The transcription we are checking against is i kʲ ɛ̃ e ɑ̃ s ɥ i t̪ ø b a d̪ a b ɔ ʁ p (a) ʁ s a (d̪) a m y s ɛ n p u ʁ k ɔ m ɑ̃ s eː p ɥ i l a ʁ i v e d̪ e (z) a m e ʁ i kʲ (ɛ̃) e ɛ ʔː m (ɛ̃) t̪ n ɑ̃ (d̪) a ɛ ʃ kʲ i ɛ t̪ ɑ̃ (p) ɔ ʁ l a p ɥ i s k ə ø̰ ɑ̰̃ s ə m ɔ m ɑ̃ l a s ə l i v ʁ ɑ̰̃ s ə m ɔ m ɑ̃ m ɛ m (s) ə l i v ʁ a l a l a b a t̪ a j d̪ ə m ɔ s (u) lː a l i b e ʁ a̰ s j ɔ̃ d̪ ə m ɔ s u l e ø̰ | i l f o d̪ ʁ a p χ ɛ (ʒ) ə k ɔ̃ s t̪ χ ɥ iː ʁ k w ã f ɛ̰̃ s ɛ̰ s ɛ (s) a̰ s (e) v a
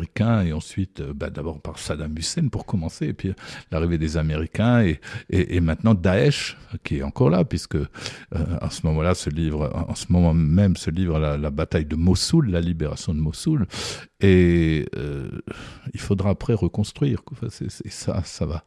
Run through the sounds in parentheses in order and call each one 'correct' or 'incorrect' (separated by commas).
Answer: correct, correct, correct, correct, correct, correct, incorrect, correct, correct, incorrect, correct, incorrect